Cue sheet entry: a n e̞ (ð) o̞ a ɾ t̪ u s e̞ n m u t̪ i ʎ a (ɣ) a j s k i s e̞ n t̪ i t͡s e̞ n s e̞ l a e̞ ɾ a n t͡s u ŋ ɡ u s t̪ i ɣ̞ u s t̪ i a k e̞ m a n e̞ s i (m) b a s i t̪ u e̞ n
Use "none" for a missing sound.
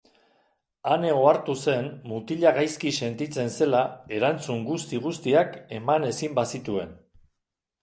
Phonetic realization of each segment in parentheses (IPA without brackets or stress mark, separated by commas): ɣ, ɣ, m